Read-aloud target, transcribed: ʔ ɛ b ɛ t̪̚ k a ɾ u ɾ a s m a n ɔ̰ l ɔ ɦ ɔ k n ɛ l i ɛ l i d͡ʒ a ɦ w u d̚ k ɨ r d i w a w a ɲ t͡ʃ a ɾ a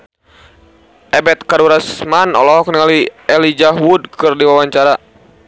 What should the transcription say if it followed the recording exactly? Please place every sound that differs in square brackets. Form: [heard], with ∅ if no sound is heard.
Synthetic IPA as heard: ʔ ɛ b ɛ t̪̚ k a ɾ u ɾ a s m a n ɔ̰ l ɔ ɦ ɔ k n [a] l i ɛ l i d͡ʒ a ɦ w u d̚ k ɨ r d i w a w a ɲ t͡ʃ a ɾ a